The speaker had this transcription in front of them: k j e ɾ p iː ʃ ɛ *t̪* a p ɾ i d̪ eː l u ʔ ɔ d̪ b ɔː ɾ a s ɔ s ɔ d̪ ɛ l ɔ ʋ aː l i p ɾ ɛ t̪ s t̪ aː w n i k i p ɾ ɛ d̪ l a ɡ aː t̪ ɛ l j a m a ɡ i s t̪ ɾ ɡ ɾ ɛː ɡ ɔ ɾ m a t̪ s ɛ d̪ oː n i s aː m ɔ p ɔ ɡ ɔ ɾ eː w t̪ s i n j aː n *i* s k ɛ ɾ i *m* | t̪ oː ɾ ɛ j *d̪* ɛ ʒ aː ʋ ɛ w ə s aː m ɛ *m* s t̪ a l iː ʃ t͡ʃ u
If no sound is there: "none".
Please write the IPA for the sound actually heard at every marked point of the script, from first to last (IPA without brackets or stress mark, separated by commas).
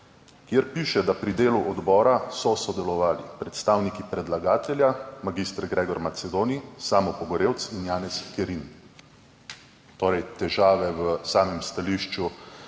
d̪, ɛ, n, t̪, m